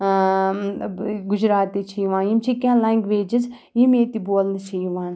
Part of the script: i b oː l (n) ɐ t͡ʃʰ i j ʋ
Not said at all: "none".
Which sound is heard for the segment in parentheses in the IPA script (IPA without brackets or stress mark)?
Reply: n